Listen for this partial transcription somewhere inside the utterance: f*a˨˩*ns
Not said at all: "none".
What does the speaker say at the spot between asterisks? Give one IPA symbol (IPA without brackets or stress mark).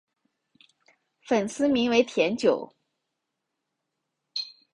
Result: ə˨˩